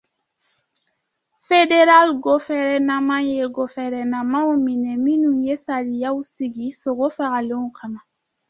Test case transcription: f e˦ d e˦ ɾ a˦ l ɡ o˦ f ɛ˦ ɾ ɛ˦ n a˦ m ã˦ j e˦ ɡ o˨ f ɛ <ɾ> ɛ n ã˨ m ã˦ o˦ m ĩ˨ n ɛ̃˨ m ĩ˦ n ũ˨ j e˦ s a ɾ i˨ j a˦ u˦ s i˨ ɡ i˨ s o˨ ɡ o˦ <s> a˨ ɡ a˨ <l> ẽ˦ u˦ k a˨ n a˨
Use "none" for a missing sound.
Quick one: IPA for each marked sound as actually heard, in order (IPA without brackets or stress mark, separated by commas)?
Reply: ɾ, f, l